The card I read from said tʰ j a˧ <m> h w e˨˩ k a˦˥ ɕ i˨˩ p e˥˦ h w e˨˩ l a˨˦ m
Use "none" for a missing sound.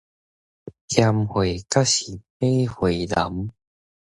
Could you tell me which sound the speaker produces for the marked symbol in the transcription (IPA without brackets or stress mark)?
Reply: m